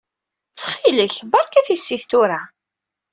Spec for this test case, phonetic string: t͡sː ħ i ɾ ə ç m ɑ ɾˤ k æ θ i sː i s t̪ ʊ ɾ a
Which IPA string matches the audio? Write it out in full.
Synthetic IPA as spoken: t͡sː χ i l ə ç b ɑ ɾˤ k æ θ i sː i θ t̪ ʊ ɾ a